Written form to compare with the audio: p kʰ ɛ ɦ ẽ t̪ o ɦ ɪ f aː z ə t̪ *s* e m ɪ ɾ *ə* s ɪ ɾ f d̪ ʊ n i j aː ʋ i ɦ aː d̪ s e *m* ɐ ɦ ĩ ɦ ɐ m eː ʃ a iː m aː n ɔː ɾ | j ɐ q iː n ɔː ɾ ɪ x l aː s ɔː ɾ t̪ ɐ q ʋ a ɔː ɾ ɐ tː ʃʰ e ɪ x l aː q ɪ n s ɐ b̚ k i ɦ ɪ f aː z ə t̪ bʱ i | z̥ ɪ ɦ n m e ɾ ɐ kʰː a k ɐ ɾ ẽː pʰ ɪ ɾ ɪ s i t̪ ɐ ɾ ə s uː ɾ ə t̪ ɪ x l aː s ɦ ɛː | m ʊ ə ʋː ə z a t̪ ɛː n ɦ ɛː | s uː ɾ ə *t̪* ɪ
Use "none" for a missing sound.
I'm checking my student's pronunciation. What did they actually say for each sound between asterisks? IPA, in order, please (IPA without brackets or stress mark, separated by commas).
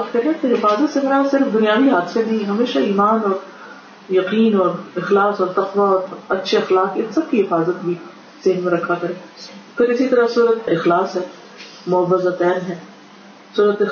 s, a, n, t̪